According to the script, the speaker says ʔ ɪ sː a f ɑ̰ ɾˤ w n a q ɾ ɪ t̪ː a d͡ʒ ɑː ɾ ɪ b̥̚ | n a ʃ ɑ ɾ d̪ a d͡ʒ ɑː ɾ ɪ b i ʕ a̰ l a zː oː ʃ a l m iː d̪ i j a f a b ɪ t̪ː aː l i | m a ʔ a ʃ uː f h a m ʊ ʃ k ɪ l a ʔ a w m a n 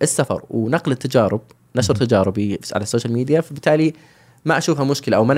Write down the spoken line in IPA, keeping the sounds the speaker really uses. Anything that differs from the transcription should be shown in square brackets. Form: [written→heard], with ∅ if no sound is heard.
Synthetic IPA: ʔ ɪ sː a f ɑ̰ ɾˤ w n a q [ɾ→l] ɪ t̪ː a d͡ʒ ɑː ɾ ɪ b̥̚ | n a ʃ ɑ ɾ [d̪→t̪] a d͡ʒ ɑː ɾ ɪ b i ʕ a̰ l a [zː→sː] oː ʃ a l m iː d̪ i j a f a b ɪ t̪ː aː l i | m a ʔ a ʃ uː f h a m ʊ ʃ k ɪ l a ʔ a w m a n